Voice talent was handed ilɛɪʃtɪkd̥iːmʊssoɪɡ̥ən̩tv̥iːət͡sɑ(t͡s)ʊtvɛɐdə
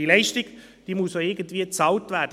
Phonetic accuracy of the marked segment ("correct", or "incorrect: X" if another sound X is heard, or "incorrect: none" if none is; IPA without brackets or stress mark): incorrect: none